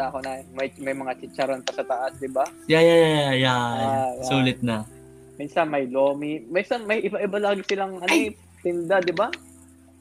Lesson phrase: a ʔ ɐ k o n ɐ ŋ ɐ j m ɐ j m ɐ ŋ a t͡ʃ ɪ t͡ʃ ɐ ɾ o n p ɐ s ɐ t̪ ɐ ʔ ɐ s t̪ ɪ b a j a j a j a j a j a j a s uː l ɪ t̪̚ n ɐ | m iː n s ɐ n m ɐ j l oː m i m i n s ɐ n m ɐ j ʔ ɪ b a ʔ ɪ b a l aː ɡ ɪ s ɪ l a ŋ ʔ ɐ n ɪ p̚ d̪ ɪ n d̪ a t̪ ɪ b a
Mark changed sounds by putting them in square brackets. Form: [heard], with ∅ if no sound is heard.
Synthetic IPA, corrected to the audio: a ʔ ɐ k o n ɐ [m] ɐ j m ɐ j m ɐ ŋ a t͡ʃ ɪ t͡ʃ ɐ ɾ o n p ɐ s ɐ t̪ ɐ ʔ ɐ s [d̪] ɪ b a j a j a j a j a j a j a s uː l ɪ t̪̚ n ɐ | m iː n s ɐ n m ɐ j l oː m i m i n s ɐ n m ɐ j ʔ ɪ b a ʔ ɪ b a l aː ɡ ɪ s ɪ l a ŋ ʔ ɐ n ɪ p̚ [t̪] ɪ n d̪ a [d̪] ɪ b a